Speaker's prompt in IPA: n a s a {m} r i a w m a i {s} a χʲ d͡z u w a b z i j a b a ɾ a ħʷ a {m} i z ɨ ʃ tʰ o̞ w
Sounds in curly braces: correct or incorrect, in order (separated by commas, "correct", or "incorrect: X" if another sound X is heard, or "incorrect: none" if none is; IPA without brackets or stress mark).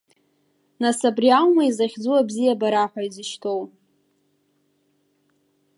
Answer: incorrect: b, incorrect: z, incorrect: none